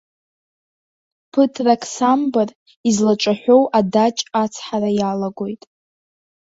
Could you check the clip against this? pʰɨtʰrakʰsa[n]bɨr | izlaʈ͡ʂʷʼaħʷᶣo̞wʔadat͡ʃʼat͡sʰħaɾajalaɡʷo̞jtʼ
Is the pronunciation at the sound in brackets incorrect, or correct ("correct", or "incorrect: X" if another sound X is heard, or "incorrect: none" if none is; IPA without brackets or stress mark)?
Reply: incorrect: m